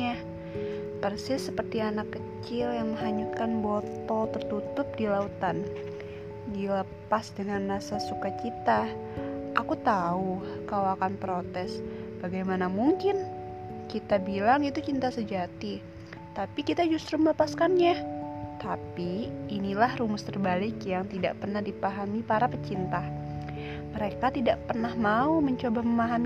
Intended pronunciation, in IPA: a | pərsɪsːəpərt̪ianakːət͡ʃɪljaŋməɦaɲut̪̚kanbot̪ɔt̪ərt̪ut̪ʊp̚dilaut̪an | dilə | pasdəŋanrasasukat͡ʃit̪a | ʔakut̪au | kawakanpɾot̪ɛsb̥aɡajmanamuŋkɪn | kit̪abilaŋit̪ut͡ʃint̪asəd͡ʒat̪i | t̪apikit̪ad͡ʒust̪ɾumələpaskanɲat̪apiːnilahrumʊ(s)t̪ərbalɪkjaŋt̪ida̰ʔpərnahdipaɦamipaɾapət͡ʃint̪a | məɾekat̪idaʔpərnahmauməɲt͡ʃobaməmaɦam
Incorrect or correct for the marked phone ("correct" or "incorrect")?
correct